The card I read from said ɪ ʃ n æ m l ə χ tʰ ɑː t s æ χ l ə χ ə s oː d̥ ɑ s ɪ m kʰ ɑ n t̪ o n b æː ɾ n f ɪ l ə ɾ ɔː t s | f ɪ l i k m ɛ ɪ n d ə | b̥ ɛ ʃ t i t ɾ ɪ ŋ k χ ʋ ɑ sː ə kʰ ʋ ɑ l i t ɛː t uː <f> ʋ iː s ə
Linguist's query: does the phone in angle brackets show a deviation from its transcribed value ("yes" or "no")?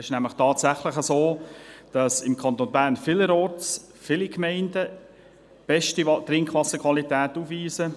no